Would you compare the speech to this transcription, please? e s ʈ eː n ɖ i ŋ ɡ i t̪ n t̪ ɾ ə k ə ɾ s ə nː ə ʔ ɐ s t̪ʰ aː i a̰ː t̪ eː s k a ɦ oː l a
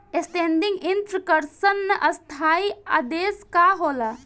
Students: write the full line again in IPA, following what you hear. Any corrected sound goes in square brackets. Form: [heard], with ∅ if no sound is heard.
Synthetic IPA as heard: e s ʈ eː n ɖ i ŋ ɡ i [∅] n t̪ ɾ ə k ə ɾ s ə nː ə ʔ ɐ s t̪ʰ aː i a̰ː [d̪] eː s k a ɦ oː l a